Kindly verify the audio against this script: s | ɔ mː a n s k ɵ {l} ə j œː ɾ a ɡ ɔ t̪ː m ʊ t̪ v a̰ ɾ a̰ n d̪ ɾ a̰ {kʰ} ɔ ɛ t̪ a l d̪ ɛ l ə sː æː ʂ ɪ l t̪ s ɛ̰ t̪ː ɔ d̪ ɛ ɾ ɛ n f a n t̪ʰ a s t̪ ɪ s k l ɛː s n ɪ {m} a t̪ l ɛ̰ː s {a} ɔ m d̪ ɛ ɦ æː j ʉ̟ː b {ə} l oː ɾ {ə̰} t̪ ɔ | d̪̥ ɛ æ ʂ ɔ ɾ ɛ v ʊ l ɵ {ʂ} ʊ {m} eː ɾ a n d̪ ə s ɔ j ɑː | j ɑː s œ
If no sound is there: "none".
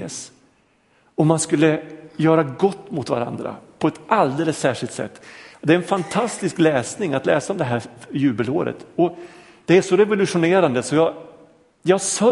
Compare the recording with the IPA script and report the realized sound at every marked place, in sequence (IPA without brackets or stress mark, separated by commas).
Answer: lː, pʰ, ŋ, a, ə, ə̰, ʂ, n